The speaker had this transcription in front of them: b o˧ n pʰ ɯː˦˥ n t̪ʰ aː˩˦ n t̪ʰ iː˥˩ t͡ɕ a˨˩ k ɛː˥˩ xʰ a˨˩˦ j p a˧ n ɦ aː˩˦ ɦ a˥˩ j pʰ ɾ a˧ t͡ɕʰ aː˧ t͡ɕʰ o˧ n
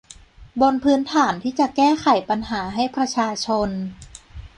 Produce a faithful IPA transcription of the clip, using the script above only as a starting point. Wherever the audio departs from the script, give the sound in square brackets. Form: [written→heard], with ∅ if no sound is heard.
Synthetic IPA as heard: b o˧ n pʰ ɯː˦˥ n t̪ʰ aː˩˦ n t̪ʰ iː˥˩ t͡ɕ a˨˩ k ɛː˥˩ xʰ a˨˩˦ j p a˧ n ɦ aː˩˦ ɦ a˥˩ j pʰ ɾ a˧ t͡ɕʰ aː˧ t͡ɕʰ o˧ n